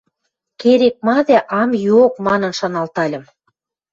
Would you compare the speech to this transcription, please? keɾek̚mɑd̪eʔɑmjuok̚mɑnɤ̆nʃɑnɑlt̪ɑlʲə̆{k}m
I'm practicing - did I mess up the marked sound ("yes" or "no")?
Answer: yes